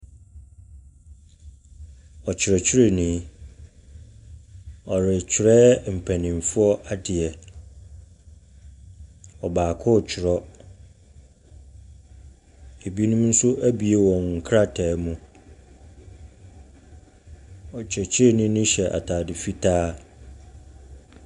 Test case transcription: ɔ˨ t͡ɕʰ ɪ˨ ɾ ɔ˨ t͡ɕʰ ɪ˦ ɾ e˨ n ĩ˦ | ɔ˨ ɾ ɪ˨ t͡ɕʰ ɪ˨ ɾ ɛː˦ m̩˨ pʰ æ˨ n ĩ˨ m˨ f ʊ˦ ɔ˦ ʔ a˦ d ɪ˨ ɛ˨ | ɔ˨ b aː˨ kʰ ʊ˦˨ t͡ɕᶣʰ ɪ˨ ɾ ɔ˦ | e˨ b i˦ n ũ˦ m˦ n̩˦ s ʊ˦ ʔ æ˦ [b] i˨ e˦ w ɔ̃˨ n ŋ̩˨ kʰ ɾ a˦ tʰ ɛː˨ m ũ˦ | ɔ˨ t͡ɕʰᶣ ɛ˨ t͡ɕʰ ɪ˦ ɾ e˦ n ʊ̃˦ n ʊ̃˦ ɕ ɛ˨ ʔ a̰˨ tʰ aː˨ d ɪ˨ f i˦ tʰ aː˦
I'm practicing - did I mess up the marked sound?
no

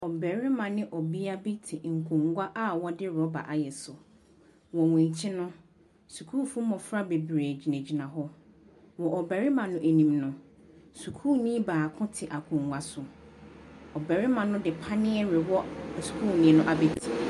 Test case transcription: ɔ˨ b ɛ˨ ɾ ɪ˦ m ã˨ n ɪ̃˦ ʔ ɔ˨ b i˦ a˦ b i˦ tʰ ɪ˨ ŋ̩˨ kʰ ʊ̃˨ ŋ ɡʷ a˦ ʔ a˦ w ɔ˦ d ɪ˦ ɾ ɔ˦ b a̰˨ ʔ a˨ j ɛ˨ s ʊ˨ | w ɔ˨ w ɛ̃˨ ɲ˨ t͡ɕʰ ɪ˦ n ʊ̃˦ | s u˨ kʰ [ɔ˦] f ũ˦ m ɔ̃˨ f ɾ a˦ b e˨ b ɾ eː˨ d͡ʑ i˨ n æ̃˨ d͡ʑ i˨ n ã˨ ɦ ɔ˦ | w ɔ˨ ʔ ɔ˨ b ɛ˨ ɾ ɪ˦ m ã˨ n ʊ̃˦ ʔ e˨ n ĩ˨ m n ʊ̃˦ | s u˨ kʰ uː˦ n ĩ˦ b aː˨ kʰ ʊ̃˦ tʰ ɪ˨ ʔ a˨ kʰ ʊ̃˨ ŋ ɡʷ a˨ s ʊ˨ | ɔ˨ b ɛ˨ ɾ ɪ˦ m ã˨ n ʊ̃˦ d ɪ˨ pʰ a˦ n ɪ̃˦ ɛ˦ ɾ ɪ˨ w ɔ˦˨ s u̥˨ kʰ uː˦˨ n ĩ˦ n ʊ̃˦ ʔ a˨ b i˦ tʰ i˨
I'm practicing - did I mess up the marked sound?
yes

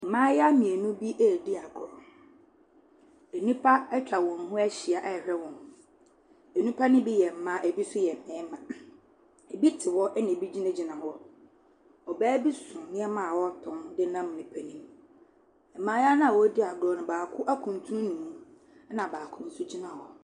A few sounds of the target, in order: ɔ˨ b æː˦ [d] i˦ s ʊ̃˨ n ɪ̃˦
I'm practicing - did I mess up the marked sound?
yes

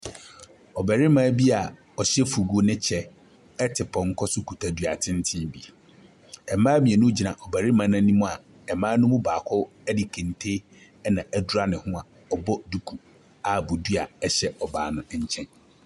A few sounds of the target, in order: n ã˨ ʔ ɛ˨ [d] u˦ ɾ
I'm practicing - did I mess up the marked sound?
no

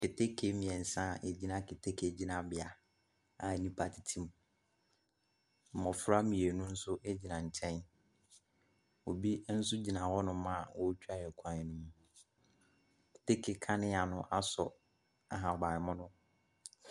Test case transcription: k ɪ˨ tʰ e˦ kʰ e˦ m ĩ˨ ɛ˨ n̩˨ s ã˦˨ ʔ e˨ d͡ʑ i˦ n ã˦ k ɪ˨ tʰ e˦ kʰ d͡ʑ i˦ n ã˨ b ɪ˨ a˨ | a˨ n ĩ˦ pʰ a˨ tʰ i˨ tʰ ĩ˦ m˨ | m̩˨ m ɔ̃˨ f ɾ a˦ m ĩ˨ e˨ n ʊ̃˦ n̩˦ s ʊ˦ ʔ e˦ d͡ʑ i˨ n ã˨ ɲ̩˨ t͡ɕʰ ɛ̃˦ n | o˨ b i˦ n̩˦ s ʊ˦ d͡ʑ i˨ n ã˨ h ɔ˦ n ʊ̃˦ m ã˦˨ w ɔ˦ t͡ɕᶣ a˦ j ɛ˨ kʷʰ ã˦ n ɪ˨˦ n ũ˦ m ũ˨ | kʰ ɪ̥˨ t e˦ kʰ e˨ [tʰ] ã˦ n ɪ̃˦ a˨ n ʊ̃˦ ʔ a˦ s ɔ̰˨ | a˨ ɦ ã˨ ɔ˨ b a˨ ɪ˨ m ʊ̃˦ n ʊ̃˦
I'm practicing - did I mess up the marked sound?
yes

